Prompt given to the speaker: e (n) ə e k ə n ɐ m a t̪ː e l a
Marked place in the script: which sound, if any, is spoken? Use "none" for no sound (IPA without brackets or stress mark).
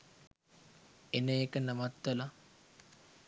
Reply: n